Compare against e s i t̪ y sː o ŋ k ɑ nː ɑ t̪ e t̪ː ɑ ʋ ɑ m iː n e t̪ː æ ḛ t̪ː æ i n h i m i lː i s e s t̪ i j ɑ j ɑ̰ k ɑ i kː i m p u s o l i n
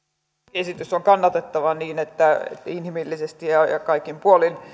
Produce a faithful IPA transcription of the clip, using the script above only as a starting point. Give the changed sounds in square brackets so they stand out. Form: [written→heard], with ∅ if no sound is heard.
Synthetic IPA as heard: e s i t̪ y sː o ŋ k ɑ nː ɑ t̪ e t̪ː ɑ ʋ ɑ [m→n] iː n e t̪ː æ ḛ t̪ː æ i n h i m i lː i s e s t̪ i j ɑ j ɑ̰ k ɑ i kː i m p u [s→∅] o l i n